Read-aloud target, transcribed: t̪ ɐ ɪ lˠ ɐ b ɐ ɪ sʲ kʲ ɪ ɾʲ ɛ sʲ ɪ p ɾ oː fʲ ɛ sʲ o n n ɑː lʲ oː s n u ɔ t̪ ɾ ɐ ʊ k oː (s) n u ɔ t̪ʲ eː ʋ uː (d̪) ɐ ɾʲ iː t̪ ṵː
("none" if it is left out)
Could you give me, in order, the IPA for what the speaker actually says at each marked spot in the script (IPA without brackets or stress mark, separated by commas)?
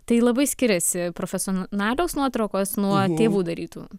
s, d̪